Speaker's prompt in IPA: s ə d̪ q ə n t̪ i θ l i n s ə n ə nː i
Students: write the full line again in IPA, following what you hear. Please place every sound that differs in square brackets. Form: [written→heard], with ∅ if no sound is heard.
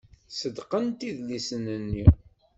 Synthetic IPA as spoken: s ə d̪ q ə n t̪ i [θ→ð] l i [n→∅] s ə n ə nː i